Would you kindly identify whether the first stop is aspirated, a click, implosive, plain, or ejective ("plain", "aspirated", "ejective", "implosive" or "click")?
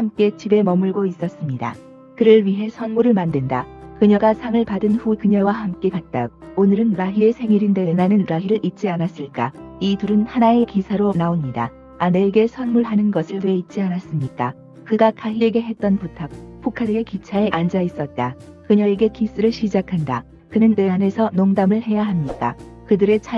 plain